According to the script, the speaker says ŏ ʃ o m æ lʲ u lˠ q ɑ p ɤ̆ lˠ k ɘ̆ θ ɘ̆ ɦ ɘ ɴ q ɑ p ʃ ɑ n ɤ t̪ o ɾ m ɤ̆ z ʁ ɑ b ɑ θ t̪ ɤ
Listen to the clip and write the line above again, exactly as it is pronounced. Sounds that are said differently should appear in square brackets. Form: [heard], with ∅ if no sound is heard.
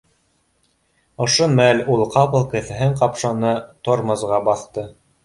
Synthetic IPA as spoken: ŏ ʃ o m æ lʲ u lˠ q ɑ p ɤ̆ lˠ k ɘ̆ θ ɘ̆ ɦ ɘ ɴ q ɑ p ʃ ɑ n ɤ t̪ o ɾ m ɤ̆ z ʁ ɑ b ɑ θ t̪ ɤ

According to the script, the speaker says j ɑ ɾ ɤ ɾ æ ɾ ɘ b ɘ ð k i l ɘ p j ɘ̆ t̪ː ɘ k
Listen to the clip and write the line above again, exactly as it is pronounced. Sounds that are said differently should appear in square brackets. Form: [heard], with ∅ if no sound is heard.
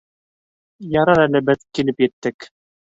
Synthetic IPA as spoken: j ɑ ɾ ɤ ɾ æ [l] ɘ b ɘ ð k i l ɘ p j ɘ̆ t̪ː ɘ k

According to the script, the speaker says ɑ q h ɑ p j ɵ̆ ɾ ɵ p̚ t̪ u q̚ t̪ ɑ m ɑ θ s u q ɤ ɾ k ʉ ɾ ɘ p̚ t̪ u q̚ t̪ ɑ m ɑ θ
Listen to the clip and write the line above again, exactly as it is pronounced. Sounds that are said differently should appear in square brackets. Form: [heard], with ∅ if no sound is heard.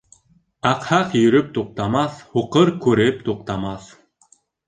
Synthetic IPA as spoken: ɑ q h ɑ [q] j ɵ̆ ɾ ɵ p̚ t̪ u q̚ t̪ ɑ m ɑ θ [h] u q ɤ ɾ k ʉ ɾ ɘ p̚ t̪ u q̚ t̪ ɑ m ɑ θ

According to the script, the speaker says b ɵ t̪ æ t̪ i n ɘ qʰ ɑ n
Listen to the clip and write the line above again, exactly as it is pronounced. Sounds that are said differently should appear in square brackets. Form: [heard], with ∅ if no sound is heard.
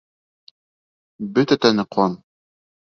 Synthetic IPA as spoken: b ɵ t̪ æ t̪ [æ] n ɘ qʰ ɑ n

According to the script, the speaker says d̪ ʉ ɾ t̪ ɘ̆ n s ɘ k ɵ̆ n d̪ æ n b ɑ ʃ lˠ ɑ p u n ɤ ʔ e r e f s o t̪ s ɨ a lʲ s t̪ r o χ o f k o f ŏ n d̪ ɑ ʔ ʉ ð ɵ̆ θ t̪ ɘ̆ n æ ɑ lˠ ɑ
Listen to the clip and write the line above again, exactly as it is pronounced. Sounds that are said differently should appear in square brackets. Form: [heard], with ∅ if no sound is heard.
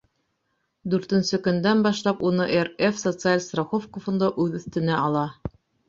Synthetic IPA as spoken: d̪ ʉ ɾ t̪ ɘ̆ n s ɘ k ɵ̆ n d̪ æ n b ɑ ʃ lˠ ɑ p u n ɤ ʔ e r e f s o t̪ s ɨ a lʲ s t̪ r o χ o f k o f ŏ n d̪ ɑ ʔ ʉ ð ɵ̆ θ t̪ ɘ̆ n æ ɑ lˠ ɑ

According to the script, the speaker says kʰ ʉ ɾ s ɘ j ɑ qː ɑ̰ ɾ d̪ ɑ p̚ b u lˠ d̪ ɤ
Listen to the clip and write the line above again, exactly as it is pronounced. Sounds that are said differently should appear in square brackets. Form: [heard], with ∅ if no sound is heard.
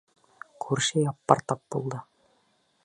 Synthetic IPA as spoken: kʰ ʉ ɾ [ʃ] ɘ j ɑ [pː] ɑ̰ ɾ [t̪] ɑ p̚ b u lˠ d̪ ɤ

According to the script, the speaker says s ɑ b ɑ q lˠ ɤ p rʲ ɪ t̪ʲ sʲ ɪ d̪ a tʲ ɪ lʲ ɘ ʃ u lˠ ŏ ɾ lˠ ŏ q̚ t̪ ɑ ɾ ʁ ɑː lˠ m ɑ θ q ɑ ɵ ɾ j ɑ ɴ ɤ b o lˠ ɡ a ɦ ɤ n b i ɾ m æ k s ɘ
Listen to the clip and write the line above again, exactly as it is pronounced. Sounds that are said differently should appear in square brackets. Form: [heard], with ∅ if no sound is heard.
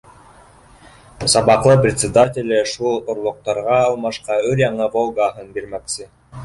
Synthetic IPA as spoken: s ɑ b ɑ q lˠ ɤ p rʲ ɪ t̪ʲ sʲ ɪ d̪ a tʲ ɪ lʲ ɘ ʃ u lˠ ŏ ɾ lˠ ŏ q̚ t̪ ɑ ɾ ʁ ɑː lˠ m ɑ [ʃ] q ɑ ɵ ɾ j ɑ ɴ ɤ [v] o lˠ ɡ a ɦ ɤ n b i ɾ m æ k s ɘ

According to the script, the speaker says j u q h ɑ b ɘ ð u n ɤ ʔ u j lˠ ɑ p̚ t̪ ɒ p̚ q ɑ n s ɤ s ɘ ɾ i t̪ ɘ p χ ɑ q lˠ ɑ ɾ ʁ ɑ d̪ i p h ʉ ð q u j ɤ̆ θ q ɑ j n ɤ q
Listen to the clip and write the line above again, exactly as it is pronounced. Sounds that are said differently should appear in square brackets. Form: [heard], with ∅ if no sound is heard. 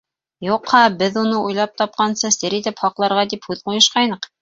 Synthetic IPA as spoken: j u q h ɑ b ɘ ð u n ɤ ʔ u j lˠ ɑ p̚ t̪ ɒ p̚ q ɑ n s ɤ s ɘ ɾ i t̪ ɘ p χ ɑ q lˠ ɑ ɾ ʁ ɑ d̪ i p h ʉ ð q u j ɤ̆ [ʃ] q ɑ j n ɤ q

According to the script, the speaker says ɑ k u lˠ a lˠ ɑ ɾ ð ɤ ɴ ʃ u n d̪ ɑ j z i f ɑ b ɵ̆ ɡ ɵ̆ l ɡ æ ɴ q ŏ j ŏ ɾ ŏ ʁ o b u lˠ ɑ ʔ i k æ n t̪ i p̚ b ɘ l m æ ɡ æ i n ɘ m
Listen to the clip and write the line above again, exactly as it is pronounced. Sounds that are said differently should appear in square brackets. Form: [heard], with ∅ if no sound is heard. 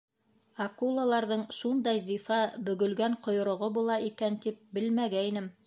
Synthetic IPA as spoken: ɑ k u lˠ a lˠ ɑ ɾ ð ɤ ɴ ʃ u n d̪ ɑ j z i f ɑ b ɵ̆ ɡ ɵ̆ l ɡ æ ɴ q ŏ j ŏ ɾ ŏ ʁ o b u lˠ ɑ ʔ i k æ n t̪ i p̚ b ɘ l m æ ɡ æ i n ɘ m

